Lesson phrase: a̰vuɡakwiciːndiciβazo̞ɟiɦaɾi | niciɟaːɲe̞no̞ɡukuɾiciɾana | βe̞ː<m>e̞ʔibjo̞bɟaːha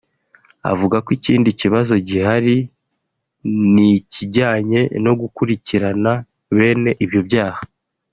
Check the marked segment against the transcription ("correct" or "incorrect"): incorrect